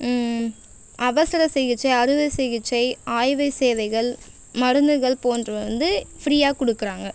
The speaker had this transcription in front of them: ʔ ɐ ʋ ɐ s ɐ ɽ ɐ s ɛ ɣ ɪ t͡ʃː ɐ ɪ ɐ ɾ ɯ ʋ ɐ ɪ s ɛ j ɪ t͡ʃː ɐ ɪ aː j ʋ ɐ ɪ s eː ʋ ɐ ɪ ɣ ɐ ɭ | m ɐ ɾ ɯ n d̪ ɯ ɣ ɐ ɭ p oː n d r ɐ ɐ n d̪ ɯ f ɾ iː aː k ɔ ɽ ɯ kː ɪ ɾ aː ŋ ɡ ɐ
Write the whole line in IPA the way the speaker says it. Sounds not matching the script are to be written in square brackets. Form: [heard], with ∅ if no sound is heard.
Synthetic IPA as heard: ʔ ɐ ʋ ɐ s ɐ [ɾ] ɐ s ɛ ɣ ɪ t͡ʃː ɐ ɪ ɐ ɾ ɯ ʋ ɐ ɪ s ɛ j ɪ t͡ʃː ɐ ɪ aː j ʋ ɐ ɪ s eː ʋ ɐ ɪ ɣ ɐ ɭ | m ɐ ɾ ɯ n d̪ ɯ ɣ ɐ ɭ p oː n d r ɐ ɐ n d̪ ɯ f ɾ iː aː k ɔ ɽ ɯ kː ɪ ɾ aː ŋ ɡ ɐ